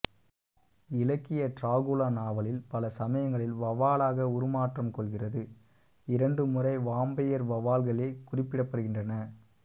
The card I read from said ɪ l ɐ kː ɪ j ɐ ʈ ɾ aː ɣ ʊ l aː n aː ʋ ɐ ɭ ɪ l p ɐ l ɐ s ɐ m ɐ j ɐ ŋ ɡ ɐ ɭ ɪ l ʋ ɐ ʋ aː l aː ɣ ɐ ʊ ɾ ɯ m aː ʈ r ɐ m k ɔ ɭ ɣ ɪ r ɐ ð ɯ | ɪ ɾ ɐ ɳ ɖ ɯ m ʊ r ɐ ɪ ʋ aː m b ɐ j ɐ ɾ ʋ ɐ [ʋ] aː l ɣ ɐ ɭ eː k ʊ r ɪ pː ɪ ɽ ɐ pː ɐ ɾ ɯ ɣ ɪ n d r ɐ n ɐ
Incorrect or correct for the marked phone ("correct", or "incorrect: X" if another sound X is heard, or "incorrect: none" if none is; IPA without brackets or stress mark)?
correct